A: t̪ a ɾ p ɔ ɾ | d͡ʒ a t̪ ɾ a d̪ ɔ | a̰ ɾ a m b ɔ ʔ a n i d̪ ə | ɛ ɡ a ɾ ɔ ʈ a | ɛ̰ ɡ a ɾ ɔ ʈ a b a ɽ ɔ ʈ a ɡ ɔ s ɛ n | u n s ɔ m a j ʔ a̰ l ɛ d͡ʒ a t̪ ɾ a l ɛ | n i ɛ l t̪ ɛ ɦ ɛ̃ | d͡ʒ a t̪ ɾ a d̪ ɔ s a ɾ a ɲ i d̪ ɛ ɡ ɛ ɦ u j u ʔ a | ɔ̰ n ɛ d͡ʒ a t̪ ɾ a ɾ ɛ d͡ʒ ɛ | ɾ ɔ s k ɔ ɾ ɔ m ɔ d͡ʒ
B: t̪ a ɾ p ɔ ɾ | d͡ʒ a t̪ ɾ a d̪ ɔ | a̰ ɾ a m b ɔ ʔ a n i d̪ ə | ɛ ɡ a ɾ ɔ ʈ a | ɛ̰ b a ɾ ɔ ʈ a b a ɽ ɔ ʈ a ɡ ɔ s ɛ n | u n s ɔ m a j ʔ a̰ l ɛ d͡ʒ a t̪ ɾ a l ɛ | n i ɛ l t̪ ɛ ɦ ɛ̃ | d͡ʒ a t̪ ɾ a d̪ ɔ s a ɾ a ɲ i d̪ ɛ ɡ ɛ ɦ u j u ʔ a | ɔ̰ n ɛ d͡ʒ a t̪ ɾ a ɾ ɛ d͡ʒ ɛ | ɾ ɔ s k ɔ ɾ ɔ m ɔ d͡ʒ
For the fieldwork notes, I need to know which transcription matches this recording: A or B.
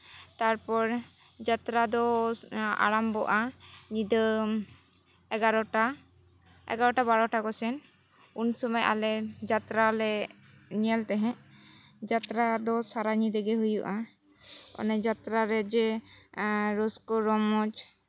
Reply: A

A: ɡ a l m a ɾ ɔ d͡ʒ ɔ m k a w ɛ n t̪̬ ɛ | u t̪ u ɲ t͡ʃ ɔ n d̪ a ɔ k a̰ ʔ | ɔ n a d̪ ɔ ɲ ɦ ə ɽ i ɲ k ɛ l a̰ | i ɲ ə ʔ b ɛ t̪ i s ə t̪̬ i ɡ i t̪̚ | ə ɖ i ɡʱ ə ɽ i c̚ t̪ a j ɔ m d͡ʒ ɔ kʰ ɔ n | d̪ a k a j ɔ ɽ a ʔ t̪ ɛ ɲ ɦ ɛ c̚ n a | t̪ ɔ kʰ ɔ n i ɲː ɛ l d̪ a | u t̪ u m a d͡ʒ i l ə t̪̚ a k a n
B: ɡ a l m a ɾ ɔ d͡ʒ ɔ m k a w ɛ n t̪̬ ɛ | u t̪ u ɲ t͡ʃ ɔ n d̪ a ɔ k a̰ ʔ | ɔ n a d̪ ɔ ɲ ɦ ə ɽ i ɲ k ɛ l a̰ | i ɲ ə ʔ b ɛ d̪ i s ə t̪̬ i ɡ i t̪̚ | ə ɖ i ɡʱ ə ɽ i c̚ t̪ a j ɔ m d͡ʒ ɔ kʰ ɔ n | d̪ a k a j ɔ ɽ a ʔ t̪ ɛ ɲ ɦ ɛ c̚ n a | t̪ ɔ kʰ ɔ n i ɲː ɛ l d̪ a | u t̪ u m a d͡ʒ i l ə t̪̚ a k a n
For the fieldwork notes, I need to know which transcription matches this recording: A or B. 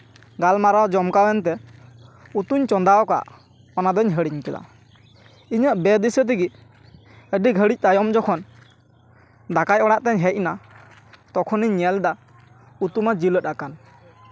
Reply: B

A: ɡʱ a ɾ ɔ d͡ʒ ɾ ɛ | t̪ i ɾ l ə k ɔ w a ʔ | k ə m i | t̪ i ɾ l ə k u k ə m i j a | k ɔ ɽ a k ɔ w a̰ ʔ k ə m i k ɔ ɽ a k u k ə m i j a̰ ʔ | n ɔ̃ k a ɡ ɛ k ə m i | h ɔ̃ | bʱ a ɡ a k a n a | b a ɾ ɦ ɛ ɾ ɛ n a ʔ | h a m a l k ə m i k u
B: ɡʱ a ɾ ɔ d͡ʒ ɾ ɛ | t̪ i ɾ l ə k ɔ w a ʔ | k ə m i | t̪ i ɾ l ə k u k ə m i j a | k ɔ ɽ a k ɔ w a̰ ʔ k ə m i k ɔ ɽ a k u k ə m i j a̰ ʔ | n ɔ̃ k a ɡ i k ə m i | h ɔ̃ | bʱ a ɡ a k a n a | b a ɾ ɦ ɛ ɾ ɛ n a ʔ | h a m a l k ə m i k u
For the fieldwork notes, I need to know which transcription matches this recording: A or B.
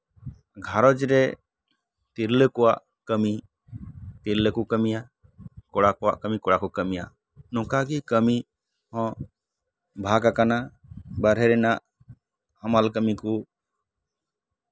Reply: B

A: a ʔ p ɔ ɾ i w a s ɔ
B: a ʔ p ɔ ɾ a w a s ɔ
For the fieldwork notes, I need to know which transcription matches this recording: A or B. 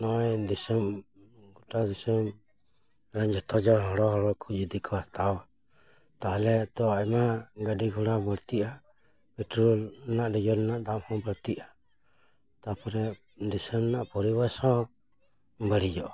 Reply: A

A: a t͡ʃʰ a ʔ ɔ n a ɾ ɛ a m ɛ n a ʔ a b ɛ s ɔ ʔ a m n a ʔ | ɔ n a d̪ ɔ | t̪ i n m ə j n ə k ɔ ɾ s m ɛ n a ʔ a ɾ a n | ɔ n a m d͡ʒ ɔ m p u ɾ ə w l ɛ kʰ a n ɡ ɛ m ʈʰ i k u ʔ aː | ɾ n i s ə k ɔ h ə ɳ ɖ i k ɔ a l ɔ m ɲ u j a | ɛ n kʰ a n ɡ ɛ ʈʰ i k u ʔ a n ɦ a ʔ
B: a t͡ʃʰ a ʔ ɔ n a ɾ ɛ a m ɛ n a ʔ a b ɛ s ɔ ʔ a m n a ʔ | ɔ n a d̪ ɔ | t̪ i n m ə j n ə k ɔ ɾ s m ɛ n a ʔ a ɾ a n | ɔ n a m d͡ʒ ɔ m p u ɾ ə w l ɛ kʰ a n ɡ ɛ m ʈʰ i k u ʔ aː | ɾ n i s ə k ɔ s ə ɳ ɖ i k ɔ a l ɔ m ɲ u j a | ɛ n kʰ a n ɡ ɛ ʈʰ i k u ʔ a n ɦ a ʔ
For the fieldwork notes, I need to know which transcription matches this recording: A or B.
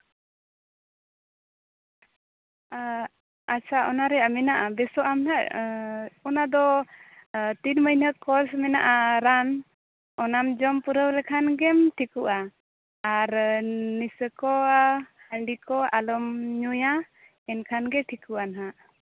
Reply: A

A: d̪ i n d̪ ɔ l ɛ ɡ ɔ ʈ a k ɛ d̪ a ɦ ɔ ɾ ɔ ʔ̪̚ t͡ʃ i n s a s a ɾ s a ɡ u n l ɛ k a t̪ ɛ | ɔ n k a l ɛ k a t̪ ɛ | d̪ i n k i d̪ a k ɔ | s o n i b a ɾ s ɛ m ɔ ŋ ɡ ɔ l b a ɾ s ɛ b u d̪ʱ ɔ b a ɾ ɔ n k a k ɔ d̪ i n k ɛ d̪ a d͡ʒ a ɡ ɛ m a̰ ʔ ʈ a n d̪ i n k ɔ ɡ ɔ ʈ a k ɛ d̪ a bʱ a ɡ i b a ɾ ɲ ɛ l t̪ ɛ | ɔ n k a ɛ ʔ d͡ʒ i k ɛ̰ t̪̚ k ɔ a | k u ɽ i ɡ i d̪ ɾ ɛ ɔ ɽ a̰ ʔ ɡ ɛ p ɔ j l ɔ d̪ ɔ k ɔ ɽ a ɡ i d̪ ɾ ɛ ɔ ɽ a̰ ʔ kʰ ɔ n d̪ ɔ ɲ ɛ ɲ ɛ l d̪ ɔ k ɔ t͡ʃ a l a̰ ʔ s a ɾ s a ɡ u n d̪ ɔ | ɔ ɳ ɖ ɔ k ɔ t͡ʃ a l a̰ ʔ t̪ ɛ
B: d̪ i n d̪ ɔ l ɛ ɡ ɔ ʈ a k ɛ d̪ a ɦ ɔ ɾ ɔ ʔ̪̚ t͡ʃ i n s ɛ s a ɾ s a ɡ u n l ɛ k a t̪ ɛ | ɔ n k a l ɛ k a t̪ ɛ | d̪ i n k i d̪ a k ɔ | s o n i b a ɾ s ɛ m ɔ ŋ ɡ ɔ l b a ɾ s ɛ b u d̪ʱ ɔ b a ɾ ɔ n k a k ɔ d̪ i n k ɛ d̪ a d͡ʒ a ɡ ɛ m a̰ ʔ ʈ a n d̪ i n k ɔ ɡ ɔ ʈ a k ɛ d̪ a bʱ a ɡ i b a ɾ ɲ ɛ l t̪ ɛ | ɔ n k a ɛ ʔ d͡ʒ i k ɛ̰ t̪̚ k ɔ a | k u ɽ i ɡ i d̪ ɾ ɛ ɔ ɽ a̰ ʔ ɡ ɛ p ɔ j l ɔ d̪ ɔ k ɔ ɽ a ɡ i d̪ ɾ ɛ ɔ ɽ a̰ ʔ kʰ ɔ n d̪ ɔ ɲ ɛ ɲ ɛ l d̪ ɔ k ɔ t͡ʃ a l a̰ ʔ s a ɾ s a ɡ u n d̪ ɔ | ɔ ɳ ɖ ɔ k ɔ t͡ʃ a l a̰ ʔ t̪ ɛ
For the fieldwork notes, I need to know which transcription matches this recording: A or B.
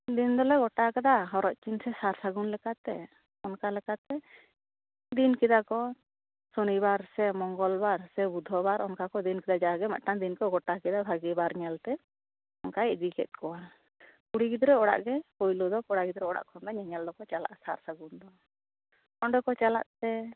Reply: B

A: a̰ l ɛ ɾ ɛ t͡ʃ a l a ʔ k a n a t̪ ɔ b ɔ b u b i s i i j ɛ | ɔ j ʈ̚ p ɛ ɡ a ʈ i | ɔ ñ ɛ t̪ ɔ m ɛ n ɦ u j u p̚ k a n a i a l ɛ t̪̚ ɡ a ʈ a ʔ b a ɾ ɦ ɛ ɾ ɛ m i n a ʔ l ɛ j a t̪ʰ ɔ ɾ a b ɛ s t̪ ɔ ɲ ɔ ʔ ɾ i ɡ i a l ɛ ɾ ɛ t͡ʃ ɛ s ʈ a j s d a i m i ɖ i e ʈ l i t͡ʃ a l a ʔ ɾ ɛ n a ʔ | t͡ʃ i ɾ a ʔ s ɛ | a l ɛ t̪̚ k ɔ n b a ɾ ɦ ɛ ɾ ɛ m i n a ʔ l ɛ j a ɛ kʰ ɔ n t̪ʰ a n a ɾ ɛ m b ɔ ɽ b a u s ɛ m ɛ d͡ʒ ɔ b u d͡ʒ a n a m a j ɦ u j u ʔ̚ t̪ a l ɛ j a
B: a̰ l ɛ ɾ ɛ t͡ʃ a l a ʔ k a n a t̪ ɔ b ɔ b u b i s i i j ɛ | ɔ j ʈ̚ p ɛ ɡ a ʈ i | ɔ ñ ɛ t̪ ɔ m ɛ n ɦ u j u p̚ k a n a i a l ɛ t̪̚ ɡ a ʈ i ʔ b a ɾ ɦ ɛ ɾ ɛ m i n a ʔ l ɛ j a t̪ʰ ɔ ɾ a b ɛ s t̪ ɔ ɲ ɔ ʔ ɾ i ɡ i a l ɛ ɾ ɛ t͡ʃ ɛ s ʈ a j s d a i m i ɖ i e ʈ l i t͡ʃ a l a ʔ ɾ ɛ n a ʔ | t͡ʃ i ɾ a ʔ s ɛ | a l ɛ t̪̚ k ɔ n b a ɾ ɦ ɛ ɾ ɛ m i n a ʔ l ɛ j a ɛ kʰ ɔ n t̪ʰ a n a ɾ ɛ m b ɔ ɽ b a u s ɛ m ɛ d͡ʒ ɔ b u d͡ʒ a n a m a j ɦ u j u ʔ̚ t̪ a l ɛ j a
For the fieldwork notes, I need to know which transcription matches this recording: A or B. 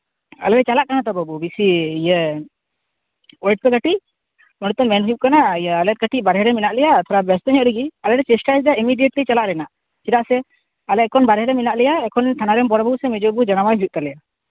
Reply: B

